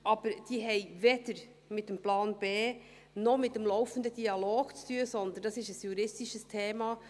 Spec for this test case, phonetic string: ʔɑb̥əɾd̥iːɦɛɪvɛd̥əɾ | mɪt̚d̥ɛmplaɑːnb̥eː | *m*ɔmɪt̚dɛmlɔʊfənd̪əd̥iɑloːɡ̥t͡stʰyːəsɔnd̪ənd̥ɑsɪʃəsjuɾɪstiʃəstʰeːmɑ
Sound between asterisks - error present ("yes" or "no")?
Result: yes